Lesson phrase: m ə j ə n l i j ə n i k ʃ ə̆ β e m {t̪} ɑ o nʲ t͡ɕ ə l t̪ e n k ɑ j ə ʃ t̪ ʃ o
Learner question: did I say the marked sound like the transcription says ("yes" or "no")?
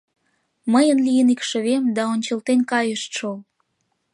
no